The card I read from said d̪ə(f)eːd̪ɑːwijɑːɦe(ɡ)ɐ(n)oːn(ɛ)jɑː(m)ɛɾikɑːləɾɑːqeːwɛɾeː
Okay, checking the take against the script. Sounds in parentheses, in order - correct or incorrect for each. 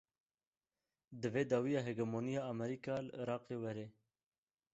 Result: incorrect: v, correct, incorrect: m, incorrect: i, correct

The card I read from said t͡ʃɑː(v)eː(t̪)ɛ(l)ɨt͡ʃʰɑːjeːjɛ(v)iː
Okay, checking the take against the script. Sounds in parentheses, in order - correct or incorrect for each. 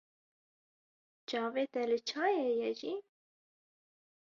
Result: correct, correct, correct, incorrect: ʒ

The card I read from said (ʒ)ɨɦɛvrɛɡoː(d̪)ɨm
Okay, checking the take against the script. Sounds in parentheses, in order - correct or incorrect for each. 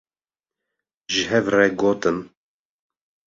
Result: correct, incorrect: t̪

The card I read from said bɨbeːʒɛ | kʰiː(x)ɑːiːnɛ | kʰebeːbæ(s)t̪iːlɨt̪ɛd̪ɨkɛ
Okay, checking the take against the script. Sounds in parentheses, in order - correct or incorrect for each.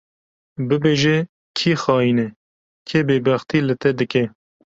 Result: correct, incorrect: x

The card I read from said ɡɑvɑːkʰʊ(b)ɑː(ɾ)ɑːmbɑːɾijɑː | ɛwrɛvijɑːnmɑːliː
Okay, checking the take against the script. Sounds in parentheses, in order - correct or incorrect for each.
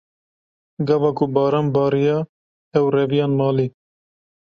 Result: correct, correct

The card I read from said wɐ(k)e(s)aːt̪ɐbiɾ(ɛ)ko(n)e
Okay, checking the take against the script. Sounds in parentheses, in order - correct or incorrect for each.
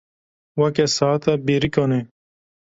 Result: correct, correct, incorrect: i, correct

